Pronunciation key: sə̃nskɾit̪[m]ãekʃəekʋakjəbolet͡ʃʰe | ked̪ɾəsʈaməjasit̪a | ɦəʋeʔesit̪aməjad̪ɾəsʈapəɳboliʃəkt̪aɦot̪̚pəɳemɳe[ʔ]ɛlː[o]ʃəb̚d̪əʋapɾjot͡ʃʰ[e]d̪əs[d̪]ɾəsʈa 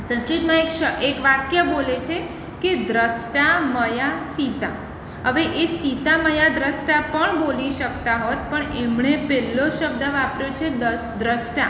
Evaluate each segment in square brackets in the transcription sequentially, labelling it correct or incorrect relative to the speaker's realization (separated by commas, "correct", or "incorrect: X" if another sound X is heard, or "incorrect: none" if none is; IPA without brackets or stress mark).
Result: correct, incorrect: p, correct, correct, correct